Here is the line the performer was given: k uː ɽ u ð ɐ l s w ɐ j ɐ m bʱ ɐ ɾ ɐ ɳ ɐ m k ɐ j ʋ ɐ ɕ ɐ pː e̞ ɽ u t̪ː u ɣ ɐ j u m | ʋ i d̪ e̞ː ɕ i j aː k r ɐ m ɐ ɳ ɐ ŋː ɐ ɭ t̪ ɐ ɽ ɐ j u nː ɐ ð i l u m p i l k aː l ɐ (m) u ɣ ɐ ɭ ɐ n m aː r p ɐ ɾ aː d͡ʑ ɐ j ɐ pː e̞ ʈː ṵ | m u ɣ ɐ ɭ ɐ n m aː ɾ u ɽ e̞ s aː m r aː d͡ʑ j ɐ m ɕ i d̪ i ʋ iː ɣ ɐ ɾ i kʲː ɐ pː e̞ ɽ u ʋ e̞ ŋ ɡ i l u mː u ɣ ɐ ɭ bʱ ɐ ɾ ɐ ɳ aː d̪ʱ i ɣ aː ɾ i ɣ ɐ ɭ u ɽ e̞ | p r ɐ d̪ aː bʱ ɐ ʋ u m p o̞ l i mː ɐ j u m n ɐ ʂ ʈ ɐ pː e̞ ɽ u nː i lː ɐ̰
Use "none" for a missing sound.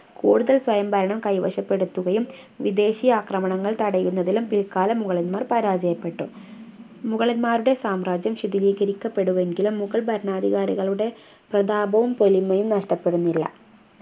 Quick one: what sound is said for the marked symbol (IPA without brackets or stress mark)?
m